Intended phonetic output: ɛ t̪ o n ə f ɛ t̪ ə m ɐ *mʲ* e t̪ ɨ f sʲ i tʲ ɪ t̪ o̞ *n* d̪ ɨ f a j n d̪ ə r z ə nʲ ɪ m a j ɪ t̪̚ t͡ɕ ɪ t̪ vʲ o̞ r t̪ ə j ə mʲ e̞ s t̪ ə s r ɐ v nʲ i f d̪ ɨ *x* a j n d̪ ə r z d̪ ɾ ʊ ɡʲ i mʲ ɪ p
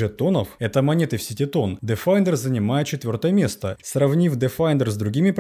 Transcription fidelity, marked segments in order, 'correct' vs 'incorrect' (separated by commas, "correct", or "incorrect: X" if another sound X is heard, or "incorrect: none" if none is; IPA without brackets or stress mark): incorrect: nʲ, correct, incorrect: f